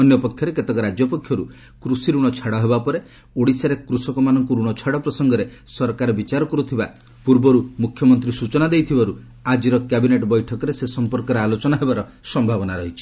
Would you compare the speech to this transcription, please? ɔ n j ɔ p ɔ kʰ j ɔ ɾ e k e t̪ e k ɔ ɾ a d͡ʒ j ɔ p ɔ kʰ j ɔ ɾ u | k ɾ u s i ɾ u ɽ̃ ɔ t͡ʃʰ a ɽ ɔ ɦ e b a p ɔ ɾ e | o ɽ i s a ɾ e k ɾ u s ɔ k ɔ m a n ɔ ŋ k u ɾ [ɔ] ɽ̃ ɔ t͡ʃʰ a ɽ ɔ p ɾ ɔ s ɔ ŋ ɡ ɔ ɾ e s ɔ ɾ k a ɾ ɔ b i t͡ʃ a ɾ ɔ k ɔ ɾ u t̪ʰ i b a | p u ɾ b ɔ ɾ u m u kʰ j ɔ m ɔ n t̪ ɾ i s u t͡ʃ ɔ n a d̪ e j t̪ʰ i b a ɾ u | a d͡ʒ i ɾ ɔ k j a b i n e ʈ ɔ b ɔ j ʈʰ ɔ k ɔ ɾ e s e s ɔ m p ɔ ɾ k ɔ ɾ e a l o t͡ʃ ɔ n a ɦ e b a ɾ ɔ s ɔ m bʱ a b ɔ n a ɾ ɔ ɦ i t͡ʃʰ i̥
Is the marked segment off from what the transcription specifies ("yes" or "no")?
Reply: yes